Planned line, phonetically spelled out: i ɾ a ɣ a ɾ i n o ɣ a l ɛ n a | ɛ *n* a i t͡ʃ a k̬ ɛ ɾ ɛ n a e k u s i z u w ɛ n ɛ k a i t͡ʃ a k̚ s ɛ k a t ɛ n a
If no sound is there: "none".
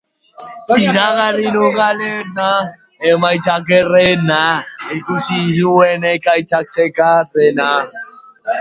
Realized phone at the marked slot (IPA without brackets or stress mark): m